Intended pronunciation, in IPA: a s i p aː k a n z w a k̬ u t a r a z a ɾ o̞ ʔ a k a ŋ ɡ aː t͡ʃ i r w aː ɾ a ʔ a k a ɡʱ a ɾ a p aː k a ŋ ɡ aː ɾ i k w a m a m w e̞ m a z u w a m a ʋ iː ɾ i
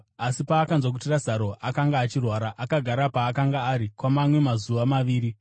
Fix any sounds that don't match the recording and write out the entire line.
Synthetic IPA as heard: a s i p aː k a n z w a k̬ u t i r a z a ɾ o̞ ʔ a k a ŋ ɡ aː t͡ʃ i r w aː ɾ a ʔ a k a ɡʱ a ɾ a p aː k a ŋ ɡ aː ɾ i k w a m a m w e̞ m a z u ʋ a m a ʋ iː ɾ i